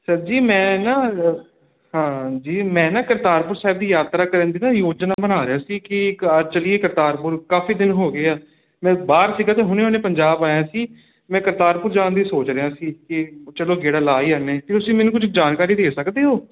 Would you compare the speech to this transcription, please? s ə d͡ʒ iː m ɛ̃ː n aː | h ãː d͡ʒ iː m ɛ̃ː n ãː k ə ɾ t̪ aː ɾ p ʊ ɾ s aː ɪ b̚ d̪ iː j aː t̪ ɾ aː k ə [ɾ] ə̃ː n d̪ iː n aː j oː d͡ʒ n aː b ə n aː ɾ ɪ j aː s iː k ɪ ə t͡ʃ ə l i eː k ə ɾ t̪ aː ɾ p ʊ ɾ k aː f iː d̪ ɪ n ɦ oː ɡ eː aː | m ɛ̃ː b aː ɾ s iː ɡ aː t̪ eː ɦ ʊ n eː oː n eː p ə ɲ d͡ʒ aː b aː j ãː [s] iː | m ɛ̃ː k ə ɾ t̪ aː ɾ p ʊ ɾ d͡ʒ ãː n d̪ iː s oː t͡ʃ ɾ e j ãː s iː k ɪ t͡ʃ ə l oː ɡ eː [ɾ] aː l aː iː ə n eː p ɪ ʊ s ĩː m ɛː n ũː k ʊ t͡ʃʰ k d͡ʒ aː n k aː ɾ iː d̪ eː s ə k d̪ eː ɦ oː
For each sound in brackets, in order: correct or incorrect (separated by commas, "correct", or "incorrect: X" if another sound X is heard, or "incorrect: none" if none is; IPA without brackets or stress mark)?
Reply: correct, correct, incorrect: ɽ